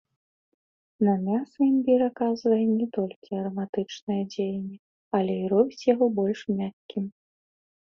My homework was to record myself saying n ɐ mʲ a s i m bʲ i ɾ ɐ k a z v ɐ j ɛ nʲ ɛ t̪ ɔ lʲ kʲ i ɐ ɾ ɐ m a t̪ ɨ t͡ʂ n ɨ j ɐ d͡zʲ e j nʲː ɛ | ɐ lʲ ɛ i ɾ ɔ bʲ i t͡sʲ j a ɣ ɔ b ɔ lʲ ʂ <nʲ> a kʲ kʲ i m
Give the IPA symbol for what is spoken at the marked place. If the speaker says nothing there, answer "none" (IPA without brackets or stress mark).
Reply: mʲ